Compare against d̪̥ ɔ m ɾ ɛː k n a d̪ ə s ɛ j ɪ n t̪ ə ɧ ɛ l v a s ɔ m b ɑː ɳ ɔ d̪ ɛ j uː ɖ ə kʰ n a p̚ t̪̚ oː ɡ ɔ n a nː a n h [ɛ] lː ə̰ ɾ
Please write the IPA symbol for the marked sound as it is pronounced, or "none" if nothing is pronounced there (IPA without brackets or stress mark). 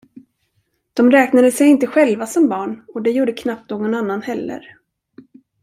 ɛ